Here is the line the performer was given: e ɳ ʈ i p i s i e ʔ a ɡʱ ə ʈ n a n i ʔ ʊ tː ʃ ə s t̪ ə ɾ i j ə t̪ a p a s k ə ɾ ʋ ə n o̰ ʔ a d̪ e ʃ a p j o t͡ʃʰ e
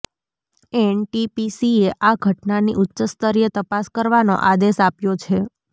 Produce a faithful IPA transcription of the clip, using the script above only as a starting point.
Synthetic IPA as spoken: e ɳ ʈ i p i s i e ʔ a ɡʱ ə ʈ n a n i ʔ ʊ tː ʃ ə s t̪ ə ɾ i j ə t̪ ə p a s k ə ɾ ʋ a n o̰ ʔ a d̪ e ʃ a p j o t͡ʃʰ e